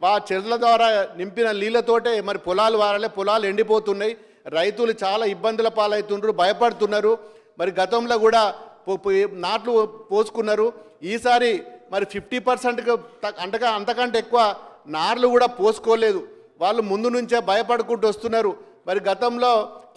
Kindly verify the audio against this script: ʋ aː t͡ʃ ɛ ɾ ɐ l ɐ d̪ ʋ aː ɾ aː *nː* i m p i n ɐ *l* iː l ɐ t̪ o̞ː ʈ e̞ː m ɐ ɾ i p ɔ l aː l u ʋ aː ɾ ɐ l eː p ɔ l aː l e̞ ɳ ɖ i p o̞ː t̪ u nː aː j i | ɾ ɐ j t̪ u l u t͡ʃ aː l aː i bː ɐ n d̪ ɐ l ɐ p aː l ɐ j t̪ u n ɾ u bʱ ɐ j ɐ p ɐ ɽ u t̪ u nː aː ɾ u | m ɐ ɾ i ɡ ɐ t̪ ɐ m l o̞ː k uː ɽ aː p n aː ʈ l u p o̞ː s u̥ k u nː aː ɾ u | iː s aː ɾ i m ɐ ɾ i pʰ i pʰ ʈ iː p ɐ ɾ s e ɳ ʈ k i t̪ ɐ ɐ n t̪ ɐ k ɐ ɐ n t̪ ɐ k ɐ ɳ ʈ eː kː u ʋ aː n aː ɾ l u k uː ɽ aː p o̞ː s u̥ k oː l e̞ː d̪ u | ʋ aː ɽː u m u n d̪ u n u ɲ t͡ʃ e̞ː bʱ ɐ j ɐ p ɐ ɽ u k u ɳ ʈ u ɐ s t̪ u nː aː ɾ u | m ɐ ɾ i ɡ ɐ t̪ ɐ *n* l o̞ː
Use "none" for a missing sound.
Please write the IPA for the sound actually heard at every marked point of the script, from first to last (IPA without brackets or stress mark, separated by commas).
n, l, m